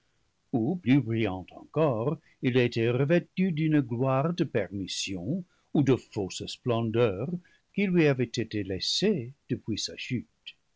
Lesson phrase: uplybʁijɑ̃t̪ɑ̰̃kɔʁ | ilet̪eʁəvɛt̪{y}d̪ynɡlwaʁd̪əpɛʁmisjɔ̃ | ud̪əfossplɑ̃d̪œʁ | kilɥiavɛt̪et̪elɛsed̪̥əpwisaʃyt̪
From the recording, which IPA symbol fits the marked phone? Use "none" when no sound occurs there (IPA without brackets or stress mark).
y